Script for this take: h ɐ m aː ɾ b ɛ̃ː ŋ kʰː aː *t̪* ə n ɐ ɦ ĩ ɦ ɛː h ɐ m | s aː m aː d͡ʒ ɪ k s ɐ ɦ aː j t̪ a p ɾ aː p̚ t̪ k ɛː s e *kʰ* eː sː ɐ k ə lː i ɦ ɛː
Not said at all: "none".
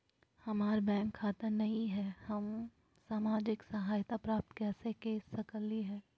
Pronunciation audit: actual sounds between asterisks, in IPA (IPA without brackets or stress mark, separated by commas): t̪, k